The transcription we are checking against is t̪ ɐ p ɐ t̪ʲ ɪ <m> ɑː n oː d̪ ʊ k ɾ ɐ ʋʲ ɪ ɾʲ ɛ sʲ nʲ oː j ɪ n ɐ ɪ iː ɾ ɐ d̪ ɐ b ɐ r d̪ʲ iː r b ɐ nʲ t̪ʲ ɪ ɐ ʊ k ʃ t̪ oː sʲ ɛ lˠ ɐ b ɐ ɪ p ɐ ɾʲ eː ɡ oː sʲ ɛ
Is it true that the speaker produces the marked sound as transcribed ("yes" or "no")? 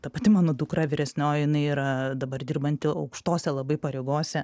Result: yes